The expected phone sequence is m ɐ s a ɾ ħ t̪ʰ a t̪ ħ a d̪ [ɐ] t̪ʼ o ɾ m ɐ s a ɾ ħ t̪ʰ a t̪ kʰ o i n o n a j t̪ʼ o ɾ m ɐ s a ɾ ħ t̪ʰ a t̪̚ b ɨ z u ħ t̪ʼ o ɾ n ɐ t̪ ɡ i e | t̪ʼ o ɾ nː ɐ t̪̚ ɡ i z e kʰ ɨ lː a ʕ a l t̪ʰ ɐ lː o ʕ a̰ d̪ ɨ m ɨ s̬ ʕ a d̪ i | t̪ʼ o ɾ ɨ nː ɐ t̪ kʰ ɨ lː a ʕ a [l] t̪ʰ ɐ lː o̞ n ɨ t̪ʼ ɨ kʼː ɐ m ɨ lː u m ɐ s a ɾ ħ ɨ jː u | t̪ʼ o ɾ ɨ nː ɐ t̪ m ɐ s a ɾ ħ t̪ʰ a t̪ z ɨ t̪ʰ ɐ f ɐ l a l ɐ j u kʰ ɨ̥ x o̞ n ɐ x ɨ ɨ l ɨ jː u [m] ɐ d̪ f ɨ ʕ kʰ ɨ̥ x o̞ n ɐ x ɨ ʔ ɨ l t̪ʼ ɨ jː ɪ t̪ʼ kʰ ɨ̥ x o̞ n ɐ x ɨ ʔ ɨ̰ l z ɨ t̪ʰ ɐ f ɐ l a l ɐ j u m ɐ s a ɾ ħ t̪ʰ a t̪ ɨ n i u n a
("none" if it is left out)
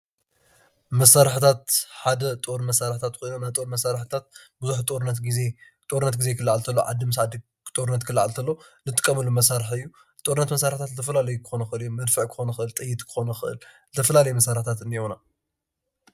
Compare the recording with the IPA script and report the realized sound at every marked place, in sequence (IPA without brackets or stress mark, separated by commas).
ɐ, l, m